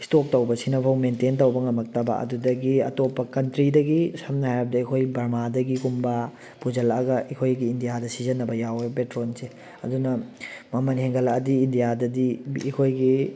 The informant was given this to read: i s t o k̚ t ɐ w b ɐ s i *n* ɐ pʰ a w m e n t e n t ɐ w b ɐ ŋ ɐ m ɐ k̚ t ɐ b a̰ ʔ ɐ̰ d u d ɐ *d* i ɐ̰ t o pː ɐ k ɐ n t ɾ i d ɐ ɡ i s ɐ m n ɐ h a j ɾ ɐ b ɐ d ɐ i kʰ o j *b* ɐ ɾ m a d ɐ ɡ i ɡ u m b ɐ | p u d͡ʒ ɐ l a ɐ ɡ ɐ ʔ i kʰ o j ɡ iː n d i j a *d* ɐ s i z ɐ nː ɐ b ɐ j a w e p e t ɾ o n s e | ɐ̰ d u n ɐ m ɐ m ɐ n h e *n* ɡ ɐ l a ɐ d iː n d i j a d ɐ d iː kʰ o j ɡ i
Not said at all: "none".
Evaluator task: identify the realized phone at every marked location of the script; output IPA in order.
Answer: n, ɡ, b, d, ŋ

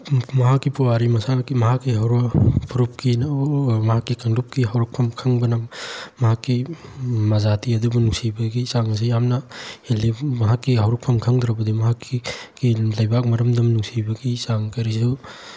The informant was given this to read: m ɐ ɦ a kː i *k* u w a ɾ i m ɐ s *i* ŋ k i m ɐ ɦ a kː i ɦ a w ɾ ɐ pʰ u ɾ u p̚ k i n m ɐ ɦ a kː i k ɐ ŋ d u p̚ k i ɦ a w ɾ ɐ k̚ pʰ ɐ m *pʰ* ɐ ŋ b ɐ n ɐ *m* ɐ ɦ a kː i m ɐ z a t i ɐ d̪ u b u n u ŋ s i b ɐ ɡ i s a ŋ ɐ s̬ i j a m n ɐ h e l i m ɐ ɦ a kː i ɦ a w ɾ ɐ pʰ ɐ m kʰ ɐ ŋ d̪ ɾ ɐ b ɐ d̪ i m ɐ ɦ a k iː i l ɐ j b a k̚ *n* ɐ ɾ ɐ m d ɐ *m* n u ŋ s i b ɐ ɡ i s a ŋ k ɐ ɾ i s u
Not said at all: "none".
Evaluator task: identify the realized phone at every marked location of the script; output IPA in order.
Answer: p, a, kʰ, m, m, m

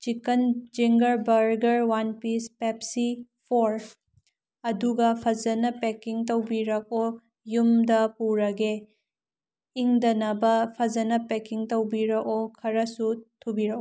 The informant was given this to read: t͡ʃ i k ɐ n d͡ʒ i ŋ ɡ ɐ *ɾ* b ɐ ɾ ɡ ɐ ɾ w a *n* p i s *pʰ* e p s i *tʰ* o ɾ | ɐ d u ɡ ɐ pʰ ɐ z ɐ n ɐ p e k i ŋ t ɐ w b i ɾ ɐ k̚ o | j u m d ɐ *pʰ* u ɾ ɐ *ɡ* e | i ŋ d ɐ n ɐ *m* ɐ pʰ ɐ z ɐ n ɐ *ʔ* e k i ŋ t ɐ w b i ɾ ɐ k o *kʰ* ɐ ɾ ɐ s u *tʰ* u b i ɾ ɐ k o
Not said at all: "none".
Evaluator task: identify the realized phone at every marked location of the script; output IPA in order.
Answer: ɾ, n, p, pʰ, p, ɡ, b, p, kʰ, tʰ

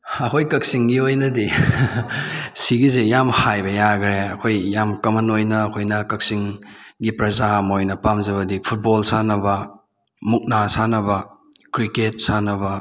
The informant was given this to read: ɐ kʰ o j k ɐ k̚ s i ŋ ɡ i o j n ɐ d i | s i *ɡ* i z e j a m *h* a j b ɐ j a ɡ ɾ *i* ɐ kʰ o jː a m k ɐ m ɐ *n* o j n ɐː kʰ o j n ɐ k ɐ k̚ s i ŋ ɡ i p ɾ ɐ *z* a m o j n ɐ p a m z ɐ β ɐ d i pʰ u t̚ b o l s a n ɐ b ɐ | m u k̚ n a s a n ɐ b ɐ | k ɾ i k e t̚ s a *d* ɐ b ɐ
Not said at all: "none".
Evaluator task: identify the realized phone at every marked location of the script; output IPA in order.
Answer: ɡ, h, e, n, z, n

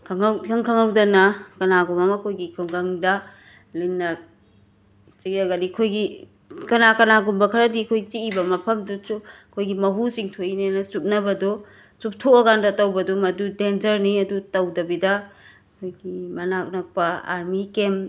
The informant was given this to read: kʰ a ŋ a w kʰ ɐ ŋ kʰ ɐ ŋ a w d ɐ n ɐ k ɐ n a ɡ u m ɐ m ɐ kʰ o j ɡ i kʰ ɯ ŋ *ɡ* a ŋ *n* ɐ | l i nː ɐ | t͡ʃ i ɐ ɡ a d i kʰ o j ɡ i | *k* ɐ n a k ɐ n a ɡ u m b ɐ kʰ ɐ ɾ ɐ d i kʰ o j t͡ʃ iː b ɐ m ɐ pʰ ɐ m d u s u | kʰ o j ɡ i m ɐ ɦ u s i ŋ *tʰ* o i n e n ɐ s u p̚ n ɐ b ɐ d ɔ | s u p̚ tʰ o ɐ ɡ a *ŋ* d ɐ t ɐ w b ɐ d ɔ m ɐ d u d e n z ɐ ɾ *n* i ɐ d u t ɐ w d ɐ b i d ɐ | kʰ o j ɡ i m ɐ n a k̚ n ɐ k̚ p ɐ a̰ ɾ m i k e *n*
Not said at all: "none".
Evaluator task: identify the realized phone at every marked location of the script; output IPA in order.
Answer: ɡ, d, k, tʰ, n, n, m

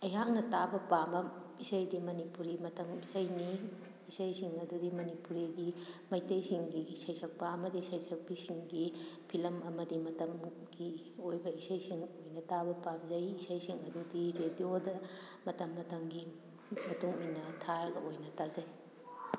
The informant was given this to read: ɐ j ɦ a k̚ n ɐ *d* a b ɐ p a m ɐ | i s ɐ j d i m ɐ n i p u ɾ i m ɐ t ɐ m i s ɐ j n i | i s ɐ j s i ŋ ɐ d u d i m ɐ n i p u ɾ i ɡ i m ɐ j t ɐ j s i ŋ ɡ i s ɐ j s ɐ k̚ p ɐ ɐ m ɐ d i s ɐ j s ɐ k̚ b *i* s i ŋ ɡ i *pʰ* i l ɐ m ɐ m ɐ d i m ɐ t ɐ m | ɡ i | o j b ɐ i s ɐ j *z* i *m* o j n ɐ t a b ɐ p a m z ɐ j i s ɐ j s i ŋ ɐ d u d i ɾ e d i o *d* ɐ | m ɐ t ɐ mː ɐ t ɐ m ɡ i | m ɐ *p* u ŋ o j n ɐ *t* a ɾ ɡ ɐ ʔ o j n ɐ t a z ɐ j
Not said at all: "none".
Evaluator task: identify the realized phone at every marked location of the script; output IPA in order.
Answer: t, i, pʰ, s, ŋ, d, t, tʰ

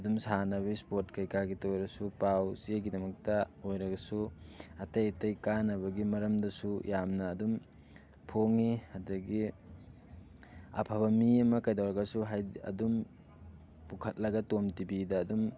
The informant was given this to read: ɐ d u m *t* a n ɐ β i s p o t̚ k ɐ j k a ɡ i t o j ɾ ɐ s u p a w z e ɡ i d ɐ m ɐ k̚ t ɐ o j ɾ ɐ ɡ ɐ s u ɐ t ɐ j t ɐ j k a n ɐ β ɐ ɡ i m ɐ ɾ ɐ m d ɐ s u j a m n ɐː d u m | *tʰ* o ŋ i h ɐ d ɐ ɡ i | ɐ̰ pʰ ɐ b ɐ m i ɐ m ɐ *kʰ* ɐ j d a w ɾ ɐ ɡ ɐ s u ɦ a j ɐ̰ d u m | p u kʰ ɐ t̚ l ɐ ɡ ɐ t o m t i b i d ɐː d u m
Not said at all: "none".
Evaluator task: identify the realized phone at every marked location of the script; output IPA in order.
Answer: s, pʰ, k

